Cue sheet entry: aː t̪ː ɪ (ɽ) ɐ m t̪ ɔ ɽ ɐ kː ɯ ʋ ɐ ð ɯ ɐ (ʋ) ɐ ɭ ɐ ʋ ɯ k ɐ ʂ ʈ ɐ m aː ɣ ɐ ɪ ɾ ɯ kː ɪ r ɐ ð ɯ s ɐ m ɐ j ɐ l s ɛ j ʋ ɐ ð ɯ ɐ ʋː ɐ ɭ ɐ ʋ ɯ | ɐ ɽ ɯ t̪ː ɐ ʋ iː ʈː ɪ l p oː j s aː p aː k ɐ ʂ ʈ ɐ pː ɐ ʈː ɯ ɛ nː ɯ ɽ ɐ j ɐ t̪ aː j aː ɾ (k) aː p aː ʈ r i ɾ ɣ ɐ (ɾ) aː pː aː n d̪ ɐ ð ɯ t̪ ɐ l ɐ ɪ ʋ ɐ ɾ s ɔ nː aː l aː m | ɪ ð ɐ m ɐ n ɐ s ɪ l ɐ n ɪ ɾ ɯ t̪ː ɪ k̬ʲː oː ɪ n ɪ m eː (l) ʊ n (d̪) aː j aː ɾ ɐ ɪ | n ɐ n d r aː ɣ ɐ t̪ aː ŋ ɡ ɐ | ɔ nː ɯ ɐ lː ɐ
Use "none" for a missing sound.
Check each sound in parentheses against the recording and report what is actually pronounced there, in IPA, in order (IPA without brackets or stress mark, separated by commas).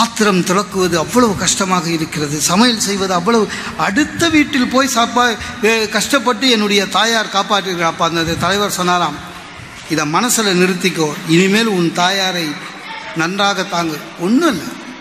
ɾ, ʋː, k, ɭ, l, t̪